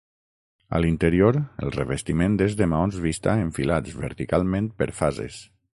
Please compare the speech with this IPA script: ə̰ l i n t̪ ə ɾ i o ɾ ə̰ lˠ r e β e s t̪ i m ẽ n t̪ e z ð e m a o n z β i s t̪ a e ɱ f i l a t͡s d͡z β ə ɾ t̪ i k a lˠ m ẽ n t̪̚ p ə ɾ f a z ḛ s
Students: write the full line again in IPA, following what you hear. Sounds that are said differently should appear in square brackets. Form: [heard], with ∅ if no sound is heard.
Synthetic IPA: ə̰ l i n t̪ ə ɾ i o ɾ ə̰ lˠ r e β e s t̪ i m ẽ n [d̪] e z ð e m a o n z β i s t̪ a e ɱ f i l a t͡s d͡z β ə ɾ t̪ i k a lˠ m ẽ n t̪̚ p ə ɾ f a z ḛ s